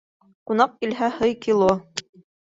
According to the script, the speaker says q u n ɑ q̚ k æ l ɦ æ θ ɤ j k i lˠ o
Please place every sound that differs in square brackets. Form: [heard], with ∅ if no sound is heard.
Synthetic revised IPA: q u n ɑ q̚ k [i] l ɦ æ [h] ɤ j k i lˠ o